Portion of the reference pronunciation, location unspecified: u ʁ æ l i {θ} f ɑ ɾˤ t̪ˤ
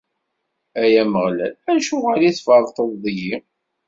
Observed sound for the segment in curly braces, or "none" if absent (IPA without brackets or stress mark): θ